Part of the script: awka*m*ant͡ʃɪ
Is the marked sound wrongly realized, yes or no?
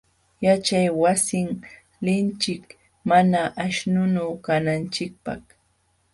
yes